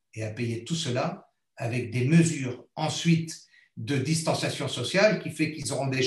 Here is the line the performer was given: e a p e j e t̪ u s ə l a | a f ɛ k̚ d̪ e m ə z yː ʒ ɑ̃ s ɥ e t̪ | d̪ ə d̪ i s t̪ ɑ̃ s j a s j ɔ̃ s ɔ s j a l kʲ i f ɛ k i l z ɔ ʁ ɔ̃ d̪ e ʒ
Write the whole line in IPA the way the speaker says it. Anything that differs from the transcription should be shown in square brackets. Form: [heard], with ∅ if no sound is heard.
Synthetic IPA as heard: e a p e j e t̪ u s ə l a | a [v] ɛ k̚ d̪ e m ə z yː [ʁ] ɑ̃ s ɥ [i] t̪ | d̪ ə d̪ i s t̪ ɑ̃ s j a s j ɔ̃ s ɔ s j a l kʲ i f ɛ k i l z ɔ ʁ ɔ̃ d̪ e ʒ